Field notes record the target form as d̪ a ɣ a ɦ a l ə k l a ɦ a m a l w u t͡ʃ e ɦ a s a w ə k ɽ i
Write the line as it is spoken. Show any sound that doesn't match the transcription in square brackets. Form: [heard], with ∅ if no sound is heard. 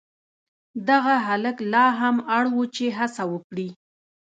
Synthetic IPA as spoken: d̪ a ɣ a ɦ a l ə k l [ɑ] ɦ a m a [ɽ] w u t͡ʃ e ɦ a s a w ə k ɽ i